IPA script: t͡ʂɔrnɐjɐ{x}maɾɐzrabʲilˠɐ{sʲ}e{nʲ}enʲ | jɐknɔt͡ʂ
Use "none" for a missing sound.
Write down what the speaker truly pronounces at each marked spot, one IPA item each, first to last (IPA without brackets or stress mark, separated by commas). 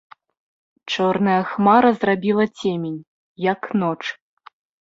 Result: x, t͡sʲ, mʲ